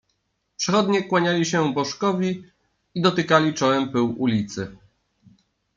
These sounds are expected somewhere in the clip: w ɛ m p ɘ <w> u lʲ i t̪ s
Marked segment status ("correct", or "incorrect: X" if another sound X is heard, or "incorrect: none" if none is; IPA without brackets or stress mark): correct